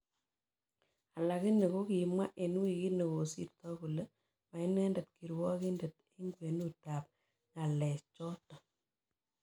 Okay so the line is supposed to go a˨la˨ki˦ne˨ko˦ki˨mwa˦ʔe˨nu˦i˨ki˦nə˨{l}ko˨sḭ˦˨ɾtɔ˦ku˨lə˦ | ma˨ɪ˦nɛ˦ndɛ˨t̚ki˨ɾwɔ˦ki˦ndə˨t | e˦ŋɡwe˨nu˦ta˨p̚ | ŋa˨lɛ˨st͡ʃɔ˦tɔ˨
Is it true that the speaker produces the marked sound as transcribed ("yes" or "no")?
no